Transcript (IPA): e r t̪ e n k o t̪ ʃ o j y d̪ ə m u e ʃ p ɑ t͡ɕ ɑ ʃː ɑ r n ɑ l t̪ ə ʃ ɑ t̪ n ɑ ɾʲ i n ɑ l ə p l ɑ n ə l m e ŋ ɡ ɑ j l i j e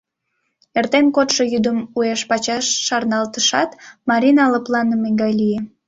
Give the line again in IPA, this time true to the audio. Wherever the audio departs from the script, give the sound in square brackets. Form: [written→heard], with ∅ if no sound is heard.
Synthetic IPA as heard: e r t̪ e n k o t̪ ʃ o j y d̪ ə m u e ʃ p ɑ t͡ɕ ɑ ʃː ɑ r n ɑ l t̪ ə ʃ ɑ t̪ [n→m] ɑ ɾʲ i n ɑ l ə p l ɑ n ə [l→∅] m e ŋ ɡ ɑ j l i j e